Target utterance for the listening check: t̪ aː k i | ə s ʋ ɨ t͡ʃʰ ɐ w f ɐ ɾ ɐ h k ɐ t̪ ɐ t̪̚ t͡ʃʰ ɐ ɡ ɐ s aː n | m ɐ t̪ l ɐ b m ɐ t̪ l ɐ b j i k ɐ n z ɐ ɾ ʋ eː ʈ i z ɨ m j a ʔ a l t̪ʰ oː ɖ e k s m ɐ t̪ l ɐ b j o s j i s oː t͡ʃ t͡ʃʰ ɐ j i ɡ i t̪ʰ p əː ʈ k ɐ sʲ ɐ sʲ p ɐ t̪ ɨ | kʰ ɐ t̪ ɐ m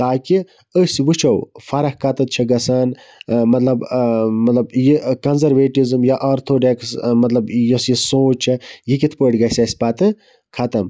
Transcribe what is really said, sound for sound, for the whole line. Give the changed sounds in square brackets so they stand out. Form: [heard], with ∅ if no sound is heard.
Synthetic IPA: t̪ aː k i | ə s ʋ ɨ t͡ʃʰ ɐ w f ɐ ɾ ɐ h k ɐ t̪ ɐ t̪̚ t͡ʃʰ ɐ ɡ ɐ s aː n | m ɐ t̪ l ɐ b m ɐ t̪ l ɐ b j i k ɐ n z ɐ ɾ ʋ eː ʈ i z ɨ m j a ʔ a [ɾ] t̪ʰ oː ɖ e k s m ɐ t̪ l ɐ b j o s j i s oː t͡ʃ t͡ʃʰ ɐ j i [k] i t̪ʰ p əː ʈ [ɡ] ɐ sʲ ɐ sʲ p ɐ t̪ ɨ | kʰ ɐ t̪ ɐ m